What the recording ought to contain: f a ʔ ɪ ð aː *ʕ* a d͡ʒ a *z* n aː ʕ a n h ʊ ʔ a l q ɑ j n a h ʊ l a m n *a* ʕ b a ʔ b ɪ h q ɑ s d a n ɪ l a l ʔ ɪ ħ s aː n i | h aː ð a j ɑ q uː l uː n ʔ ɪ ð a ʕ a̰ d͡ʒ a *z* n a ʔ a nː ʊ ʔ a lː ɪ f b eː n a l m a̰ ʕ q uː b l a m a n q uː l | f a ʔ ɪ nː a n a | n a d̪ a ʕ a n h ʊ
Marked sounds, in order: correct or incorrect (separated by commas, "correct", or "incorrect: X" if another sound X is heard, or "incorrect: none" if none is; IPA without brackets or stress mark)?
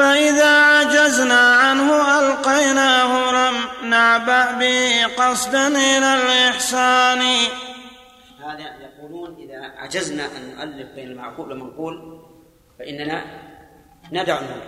correct, correct, correct, correct